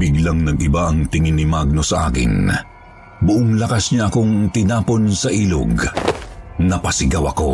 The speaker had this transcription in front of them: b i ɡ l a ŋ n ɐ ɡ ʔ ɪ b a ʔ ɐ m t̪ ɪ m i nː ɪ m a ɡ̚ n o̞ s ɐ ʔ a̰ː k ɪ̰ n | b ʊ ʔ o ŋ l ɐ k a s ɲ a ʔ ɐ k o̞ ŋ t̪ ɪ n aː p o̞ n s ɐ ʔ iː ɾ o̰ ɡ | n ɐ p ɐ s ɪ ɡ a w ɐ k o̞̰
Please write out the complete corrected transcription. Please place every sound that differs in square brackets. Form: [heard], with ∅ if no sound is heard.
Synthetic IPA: b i ɡ l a ŋ n ɐ ɡ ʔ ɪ b a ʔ ɐ [ŋ] t̪ ɪ [ŋ] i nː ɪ m a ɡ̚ n o̞ s ɐ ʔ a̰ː k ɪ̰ n | b ʊ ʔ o ŋ l ɐ k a s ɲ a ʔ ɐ k o̞ ŋ t̪ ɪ n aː p o̞ n s ɐ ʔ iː [l] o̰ ɡ | n ɐ p ɐ s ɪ ɡ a w ɐ k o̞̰